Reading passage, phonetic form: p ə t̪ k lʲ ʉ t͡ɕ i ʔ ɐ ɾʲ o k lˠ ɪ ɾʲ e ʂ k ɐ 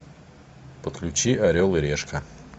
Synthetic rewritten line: p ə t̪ k lʲ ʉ t͡ɕ i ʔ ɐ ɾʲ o lˠ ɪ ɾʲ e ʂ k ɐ